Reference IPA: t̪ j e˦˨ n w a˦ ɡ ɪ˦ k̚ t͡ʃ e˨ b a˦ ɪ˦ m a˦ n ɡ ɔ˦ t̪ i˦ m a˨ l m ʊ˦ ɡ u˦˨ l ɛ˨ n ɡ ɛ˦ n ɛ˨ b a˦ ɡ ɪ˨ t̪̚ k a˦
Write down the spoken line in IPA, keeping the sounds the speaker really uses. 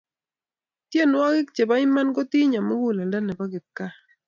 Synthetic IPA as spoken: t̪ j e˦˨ n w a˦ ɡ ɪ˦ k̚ t͡ʃ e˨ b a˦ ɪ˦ m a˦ n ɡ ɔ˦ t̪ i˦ ɲ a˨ m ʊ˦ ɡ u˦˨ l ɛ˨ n d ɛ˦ n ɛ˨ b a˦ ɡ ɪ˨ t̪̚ k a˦